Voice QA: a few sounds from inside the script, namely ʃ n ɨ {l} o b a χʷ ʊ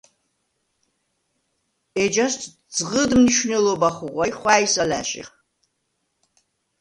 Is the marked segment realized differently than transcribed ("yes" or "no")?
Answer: no